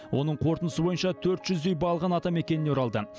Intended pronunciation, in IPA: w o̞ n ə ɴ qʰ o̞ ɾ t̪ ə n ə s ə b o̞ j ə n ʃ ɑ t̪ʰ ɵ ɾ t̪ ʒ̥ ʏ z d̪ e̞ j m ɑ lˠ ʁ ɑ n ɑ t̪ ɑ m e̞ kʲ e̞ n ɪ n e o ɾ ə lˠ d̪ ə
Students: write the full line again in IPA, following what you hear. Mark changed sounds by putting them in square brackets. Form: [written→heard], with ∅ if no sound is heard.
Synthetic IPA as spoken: w o̞ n ə ɴ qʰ o̞ ɾ t̪ ə n ə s ə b o̞ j ə n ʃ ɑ t̪ʰ ɵ ɾ t̪ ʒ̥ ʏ z d̪ e̞ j [m→b] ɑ lˠ ʁ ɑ n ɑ t̪ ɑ m e̞ kʲ e̞ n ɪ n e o ɾ [ə→ɑ] lˠ d̪ ə